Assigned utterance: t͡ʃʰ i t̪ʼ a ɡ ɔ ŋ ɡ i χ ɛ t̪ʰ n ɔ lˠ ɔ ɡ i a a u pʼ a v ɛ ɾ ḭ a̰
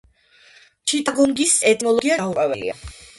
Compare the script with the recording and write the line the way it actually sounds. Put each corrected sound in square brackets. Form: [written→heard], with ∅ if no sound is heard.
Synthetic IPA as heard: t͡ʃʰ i t̪ʼ a ɡ ɔ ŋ ɡ i [χ→s] ɛ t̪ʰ n ɔ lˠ ɔ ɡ i a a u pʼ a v ɛ [ɾ→l] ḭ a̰